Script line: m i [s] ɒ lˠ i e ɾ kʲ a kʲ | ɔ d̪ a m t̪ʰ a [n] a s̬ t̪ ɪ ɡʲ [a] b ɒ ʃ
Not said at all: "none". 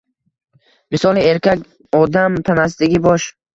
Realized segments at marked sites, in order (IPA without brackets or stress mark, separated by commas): s, n, i